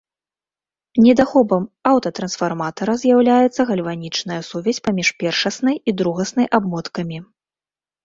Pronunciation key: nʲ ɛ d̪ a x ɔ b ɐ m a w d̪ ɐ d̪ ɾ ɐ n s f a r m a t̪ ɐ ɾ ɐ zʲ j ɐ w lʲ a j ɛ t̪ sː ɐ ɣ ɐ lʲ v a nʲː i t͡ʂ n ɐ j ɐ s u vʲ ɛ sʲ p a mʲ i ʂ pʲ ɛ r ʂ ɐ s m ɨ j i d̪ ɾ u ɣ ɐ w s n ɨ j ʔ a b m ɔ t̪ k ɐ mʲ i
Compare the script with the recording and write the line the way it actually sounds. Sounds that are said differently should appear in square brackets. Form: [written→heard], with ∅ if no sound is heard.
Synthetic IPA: nʲ ɛ d̪ a x ɔ b ɐ m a w [d̪→t̪] ɐ [d̪→t̪] ɾ ɐ n s f a r m a t̪ ɐ ɾ ɐ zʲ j [ɐ→a] w lʲ a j ɛ t̪ sː ɐ ɣ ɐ lʲ v a [nʲː→nʲ] i t͡ʂ n ɐ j ɐ s u vʲ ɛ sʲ p a mʲ i ʂ pʲ ɛ r ʂ ɐ s [m→n] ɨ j i d̪ ɾ u ɣ ɐ [w→∅] s n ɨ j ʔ a b m ɔ t̪ k ɐ mʲ i